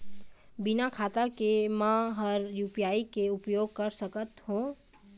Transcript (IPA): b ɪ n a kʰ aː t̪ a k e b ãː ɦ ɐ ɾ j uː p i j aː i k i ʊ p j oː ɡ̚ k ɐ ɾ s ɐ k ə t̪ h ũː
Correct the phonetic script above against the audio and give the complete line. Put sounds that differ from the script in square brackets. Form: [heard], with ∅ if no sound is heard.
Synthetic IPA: b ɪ n a kʰ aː t̪ a k e [m] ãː ɦ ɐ ɾ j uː p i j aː i k [e] ʊ p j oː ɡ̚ k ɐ ɾ s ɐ k ə t̪ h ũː